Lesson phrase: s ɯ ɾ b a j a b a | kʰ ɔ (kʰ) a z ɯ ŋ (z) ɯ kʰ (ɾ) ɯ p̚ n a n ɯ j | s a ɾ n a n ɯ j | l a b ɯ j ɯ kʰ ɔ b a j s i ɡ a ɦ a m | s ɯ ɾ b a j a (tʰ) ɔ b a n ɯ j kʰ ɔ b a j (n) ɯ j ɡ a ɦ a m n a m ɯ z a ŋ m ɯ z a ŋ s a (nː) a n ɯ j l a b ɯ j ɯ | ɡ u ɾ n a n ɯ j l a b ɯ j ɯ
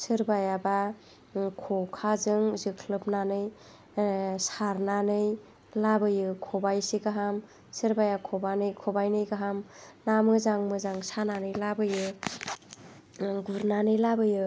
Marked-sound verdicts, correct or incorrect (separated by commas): correct, correct, incorrect, incorrect, correct, incorrect